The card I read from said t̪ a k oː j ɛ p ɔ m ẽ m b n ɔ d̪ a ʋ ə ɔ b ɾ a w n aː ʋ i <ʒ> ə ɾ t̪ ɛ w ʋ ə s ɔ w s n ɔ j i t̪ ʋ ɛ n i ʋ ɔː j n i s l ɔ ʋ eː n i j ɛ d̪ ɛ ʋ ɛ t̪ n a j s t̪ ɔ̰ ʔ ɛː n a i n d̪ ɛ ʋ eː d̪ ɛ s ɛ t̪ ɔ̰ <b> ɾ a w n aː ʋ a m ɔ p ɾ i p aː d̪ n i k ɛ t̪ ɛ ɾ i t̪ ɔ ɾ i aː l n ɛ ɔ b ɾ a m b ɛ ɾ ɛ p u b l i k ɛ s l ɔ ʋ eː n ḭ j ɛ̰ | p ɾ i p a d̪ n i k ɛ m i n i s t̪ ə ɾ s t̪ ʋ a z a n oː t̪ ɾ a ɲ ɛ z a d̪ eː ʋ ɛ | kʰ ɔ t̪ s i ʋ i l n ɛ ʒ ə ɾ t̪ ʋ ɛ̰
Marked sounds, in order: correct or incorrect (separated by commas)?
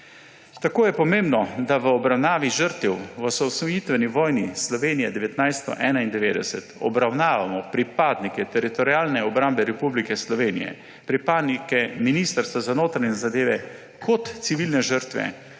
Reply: correct, correct